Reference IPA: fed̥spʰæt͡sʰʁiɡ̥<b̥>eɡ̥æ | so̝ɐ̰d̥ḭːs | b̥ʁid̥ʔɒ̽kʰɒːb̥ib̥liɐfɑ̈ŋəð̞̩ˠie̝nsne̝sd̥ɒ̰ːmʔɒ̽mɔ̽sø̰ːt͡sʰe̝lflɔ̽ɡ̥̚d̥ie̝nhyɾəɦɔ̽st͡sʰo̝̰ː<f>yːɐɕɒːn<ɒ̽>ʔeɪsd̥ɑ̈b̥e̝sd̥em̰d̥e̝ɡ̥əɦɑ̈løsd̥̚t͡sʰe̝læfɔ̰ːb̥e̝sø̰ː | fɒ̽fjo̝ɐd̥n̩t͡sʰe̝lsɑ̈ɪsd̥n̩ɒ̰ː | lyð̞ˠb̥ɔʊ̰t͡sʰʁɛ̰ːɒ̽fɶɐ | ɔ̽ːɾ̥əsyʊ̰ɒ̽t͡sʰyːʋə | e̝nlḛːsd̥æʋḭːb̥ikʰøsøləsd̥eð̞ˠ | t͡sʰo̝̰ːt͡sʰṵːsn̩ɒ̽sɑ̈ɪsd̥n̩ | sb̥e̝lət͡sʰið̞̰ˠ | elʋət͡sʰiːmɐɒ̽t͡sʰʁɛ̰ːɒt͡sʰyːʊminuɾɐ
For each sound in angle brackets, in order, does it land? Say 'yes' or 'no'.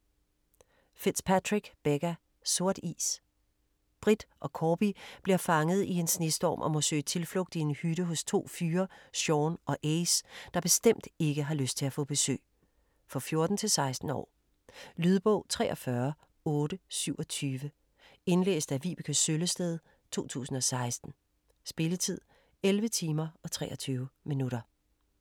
yes, yes, yes

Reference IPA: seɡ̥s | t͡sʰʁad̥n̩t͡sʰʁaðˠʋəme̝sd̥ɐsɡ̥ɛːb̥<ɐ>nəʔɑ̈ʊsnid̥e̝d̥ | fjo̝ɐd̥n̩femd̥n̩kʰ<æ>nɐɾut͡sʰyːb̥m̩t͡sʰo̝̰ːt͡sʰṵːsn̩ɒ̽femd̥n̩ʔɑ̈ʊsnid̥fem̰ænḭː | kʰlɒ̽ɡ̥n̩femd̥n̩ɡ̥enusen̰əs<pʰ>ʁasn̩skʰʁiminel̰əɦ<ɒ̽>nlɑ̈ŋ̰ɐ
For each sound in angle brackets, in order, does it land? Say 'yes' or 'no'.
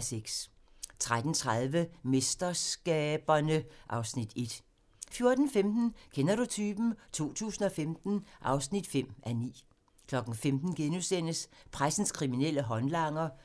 yes, no, yes, yes

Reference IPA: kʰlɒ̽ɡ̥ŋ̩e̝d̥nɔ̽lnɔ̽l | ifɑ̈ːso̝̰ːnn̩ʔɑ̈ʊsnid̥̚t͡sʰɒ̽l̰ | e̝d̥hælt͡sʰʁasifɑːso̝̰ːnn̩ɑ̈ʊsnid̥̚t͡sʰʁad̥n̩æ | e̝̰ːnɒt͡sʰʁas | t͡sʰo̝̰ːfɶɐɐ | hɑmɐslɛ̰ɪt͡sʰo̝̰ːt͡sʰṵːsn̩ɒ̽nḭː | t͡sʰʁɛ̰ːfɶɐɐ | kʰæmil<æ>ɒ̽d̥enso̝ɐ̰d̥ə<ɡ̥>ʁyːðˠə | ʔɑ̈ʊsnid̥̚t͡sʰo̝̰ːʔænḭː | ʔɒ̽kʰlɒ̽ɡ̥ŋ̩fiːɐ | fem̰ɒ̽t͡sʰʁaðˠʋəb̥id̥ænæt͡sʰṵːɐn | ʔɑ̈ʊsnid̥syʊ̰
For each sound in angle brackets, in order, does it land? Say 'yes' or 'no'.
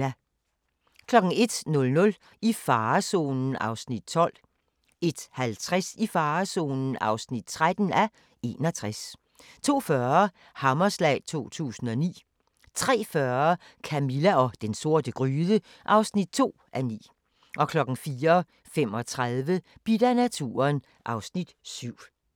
yes, yes

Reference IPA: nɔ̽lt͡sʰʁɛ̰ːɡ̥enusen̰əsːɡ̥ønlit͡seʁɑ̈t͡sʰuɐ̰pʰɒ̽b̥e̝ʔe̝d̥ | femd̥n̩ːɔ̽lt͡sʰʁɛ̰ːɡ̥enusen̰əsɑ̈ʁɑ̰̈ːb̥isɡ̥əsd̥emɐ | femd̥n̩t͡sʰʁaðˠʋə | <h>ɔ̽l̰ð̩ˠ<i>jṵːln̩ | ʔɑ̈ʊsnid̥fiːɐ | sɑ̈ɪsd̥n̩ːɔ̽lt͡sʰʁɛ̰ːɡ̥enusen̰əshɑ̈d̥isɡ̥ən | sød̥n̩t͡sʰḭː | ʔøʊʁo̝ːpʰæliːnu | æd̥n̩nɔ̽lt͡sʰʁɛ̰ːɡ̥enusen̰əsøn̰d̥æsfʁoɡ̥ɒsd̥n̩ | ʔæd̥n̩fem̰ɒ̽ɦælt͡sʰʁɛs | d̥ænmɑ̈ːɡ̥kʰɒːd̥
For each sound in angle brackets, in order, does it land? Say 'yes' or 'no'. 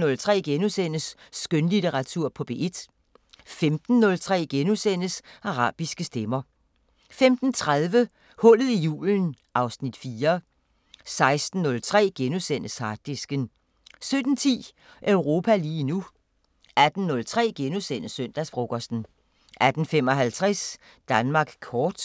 yes, yes

